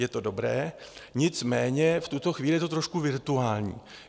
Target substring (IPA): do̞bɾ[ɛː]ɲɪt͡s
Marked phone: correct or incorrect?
correct